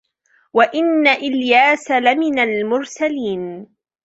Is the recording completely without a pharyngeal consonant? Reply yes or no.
yes